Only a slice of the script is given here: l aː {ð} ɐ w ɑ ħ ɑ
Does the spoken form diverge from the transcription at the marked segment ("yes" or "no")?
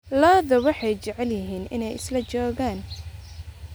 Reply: no